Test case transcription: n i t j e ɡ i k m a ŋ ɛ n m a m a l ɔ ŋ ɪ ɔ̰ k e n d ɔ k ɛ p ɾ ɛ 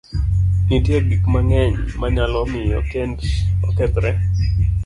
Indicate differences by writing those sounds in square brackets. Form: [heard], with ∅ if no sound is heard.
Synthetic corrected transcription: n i t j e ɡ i k m a ŋ ɛ [ɲ] m a [ɲ] a l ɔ [m] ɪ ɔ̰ k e n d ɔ k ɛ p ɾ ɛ